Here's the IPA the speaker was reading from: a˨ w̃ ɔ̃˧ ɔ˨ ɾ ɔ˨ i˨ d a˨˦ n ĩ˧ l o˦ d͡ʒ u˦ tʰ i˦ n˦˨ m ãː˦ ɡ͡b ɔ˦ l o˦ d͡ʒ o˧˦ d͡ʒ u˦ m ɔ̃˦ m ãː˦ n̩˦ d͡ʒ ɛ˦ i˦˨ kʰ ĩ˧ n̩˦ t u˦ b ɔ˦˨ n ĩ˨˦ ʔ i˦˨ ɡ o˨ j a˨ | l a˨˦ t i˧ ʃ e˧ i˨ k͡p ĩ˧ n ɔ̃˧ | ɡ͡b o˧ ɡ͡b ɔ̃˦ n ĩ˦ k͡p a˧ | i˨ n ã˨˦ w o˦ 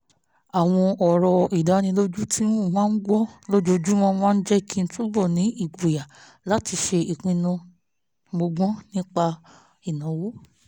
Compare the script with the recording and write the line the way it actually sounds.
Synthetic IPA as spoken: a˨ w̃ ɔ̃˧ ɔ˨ ɾ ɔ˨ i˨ d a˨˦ n ĩ˧ l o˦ d͡ʒ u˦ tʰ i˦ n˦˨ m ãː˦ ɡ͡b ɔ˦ l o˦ d͡ʒ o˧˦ d͡ʒ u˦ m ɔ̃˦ m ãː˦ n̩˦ d͡ʒ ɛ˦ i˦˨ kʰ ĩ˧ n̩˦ t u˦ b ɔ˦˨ n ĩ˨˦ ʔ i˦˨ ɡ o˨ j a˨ | l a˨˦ t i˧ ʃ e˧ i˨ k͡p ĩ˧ n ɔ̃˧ | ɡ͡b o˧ ɡ͡b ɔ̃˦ n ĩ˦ k͡p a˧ | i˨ n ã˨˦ w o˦

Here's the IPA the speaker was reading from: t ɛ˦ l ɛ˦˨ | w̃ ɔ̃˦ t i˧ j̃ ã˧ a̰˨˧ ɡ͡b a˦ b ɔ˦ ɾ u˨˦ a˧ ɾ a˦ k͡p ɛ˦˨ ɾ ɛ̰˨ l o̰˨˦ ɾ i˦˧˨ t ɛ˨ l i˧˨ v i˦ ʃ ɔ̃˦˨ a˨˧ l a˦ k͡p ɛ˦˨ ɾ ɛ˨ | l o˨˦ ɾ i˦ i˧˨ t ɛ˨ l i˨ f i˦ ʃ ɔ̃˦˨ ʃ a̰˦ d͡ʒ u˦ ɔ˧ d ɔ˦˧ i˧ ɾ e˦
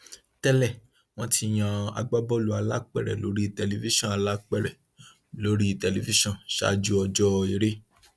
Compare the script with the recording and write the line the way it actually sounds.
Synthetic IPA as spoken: t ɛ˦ l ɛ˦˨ | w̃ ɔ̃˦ t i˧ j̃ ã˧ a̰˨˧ ɡ͡b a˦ b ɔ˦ l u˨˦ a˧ l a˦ k͡p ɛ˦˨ ɾ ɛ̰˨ l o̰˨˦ ɾ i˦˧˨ t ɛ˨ l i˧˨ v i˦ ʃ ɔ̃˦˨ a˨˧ l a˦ k͡p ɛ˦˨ ɾ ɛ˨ | l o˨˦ ɾ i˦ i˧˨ t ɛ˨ l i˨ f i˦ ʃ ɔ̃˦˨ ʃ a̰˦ d͡ʒ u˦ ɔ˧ d͡ʒ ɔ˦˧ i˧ ɾ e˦

